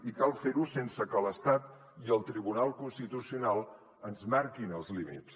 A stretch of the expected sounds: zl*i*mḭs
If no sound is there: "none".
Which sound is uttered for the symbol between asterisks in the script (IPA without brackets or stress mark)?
i